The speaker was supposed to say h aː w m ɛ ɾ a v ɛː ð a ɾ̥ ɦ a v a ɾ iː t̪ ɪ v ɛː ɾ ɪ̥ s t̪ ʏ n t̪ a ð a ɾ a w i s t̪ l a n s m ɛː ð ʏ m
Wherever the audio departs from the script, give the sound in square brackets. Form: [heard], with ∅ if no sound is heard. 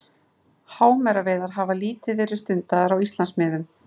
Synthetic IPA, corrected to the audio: h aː w m ɛ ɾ a v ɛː ð a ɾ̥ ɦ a v a [l] iː t̪ ɪ v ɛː ɾ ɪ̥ s t̪ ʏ n t̪ a ð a ɾ a w i s t̪ l a n s m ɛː ð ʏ m